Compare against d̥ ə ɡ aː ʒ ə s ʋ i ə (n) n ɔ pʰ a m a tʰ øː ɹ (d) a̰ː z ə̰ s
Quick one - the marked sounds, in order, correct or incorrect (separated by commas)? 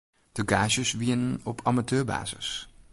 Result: correct, incorrect